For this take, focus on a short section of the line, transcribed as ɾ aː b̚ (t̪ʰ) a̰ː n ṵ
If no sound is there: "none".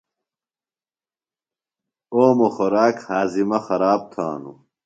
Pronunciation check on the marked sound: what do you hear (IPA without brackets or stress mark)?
t̪ʰ